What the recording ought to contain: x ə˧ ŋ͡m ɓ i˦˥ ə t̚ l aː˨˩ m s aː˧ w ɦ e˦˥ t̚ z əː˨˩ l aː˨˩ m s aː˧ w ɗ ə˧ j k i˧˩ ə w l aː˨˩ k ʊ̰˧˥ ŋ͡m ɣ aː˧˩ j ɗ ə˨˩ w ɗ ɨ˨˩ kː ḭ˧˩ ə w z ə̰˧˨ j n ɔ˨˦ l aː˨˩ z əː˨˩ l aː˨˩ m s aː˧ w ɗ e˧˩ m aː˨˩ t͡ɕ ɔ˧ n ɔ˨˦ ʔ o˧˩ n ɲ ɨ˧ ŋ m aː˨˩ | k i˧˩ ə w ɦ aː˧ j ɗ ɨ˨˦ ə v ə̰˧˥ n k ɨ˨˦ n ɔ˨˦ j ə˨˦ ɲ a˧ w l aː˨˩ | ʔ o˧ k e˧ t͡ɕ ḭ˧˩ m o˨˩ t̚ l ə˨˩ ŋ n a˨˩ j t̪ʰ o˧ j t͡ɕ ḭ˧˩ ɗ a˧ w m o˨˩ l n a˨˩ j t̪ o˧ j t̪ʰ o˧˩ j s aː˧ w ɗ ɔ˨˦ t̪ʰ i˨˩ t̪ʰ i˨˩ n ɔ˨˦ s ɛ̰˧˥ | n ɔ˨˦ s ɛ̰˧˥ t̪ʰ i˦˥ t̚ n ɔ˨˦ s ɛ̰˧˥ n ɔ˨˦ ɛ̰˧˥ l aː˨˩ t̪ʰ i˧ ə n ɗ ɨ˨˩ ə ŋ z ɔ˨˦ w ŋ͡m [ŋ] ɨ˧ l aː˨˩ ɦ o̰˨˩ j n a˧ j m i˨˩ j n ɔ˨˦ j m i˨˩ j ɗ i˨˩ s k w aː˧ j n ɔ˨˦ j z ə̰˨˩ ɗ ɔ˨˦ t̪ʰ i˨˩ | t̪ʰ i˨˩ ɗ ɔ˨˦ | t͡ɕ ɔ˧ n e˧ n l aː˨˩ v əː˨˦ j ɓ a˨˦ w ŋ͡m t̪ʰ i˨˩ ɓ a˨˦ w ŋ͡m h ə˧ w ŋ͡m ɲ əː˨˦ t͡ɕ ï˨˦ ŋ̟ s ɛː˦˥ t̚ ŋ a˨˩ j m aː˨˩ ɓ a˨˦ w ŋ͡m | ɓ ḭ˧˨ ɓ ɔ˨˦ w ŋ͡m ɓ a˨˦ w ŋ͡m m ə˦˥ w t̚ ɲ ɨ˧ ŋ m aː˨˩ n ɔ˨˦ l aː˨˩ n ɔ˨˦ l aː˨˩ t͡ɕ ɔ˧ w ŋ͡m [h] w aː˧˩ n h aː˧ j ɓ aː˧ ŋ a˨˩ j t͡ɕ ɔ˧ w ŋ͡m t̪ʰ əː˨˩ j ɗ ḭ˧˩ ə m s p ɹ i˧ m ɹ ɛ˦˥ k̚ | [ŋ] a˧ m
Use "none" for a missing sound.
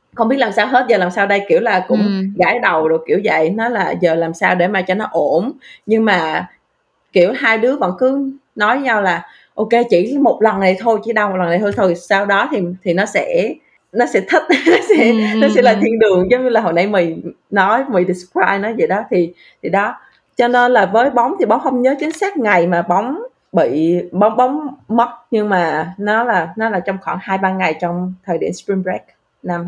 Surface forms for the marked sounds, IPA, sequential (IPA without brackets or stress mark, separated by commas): ɲ, x, n